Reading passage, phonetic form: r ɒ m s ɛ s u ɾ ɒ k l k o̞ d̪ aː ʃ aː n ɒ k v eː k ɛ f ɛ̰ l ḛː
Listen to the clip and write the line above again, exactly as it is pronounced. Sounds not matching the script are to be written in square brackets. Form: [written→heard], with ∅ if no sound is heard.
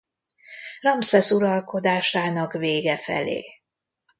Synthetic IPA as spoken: r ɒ m s ɛ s u ɾ ɒ [k→∅] l k o̞ d̪ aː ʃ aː n ɒ k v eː [k→ɡ] ɛ f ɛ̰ l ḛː